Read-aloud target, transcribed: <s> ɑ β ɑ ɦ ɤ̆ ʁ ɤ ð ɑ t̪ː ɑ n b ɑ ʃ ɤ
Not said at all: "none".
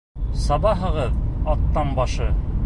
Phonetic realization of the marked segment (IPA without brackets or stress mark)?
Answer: s